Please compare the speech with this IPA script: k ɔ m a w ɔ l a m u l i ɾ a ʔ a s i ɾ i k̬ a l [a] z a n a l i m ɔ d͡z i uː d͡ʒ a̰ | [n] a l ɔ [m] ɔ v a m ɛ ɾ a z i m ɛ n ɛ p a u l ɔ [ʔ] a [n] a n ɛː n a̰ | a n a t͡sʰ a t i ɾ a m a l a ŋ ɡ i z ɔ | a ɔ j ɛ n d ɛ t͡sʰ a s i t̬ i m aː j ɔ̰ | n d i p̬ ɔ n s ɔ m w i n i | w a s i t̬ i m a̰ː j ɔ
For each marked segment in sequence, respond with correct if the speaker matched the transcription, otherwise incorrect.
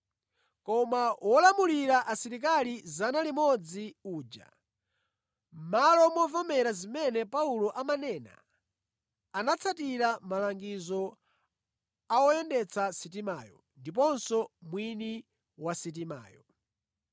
incorrect, incorrect, correct, correct, incorrect

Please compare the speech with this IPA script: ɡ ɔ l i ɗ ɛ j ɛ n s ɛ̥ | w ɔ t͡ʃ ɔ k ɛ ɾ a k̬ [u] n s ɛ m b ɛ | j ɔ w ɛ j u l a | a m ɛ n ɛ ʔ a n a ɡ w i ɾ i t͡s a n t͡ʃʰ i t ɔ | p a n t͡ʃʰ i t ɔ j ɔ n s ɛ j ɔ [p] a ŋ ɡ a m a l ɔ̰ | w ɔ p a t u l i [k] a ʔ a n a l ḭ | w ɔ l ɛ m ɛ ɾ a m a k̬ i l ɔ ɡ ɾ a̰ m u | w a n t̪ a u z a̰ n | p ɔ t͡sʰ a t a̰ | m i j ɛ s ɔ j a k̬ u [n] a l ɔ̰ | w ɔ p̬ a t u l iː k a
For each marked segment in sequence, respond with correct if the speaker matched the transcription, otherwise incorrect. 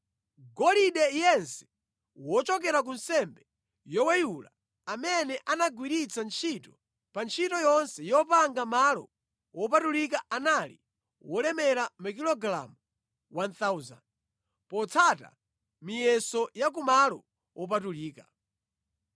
correct, correct, correct, incorrect

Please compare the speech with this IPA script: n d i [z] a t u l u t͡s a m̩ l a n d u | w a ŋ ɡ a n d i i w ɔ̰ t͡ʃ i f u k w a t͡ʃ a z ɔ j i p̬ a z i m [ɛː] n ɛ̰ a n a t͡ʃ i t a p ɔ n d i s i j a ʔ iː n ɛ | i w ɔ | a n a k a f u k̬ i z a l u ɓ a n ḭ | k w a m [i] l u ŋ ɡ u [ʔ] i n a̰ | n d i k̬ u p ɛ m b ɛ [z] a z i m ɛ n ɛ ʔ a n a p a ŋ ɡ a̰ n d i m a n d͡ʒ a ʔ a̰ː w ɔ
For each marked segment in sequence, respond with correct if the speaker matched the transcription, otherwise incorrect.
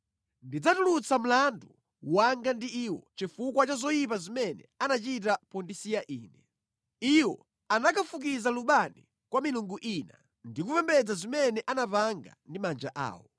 incorrect, incorrect, correct, correct, incorrect

